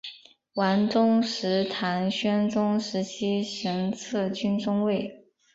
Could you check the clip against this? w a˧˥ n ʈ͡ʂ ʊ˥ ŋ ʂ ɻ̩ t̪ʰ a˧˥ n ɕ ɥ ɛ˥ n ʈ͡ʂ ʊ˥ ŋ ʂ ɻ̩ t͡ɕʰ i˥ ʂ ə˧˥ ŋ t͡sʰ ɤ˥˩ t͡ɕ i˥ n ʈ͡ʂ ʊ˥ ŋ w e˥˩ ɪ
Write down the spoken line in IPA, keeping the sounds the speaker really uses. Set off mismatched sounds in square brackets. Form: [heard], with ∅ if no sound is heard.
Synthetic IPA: w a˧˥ n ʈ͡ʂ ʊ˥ ŋ ʂ ɻ̩ t̪ʰ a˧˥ n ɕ ɥ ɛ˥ n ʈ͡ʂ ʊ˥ ŋ ʂ ɻ̩ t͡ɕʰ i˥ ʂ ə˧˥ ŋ t͡sʰ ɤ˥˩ t͡ɕ [y˥] n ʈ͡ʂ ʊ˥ ŋ w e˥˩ ɪ

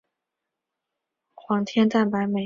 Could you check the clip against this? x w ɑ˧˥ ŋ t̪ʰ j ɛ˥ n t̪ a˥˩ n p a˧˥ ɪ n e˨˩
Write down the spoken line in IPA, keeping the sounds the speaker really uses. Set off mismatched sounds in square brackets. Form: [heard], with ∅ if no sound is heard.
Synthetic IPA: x w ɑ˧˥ ŋ t̪ʰ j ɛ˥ n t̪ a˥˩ n p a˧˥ ɪ [m] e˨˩

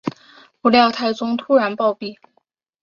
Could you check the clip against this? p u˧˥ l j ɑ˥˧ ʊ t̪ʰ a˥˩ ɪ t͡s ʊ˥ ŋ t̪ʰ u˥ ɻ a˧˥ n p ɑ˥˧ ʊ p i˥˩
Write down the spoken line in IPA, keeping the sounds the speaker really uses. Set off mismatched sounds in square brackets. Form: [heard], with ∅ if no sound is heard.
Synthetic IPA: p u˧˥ l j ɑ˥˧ ʊ t̪ʰ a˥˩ ɪ t͡s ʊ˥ ŋ t̪ʰ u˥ ɻ a˧˥ n p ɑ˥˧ ʊ p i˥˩

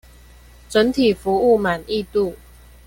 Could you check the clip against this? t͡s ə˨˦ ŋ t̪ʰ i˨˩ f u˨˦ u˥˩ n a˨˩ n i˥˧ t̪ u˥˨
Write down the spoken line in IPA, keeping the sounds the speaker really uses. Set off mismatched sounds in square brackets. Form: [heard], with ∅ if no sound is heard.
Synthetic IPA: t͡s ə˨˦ [n] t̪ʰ i˨˩ f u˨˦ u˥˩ [m] a˨˩ n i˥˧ t̪ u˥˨

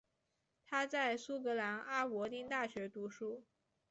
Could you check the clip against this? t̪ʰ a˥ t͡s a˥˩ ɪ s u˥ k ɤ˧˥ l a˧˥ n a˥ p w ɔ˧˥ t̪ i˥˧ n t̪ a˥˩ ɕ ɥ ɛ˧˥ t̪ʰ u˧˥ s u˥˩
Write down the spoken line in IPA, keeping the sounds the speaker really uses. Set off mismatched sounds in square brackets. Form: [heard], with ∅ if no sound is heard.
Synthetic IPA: t̪ʰ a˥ t͡s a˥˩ ɪ s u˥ k ɤ˧˥ l a˧˥ n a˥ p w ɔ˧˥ t̪ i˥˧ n t̪ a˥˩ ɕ ɥ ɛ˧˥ [t̪] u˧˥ [ʂ] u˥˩

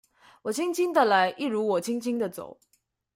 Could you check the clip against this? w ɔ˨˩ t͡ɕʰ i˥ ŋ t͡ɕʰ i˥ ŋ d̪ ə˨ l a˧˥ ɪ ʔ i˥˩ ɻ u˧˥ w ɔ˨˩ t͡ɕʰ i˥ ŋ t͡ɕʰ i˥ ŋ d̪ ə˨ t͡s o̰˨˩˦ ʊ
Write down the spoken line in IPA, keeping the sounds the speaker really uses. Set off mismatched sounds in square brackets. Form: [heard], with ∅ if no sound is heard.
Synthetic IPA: w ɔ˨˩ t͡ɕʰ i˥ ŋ t͡ɕʰ i˥ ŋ d̪ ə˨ l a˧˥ ɪ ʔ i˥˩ ɻ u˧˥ w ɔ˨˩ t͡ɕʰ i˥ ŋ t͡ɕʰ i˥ ŋ d̪ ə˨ t͡s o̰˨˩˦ ʊ

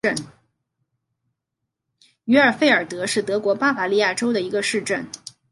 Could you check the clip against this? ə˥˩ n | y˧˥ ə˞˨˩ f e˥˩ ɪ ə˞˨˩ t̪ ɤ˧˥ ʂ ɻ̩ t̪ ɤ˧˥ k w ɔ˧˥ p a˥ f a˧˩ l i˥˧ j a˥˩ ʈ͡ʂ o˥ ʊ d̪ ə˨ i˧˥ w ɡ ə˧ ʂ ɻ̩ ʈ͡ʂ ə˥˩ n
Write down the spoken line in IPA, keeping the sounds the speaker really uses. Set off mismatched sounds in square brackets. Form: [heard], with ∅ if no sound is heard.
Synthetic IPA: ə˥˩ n | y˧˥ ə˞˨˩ f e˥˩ ɪ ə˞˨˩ t̪ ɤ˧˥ ʂ ɻ̩ t̪ ɤ˧˥ k w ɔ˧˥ p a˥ f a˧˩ l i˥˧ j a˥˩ ʈ͡ʂ o˥ ʊ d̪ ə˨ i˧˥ [∅] ɡ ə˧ ʂ ɻ̩ ʈ͡ʂ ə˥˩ n

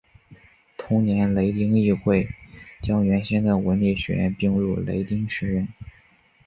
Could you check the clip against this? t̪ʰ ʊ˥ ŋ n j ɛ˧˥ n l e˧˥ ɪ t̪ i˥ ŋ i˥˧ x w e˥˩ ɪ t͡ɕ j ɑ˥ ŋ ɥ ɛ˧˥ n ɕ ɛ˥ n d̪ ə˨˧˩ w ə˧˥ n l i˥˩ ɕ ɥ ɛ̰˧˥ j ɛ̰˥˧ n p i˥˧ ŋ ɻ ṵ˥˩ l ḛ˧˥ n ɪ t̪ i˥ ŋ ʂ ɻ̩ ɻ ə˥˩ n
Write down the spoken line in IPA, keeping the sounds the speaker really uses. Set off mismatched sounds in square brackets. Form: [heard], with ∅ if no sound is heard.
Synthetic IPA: t̪ʰ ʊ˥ ŋ n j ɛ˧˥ n l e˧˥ ɪ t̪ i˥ ŋ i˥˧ x w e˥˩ ɪ t͡ɕ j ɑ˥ ŋ ɥ ɛ˧˥ n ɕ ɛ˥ n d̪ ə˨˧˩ w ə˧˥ n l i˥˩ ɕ ɥ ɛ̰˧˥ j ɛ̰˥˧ n p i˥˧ ŋ ɻ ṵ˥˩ l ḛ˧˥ [∅] ɪ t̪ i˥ ŋ ʂ ɻ̩ ɻ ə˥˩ n

